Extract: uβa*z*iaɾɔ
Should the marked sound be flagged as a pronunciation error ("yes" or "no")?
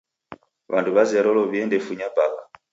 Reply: no